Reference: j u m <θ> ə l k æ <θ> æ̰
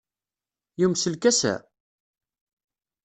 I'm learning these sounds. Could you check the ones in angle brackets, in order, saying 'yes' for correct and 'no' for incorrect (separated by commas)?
no, no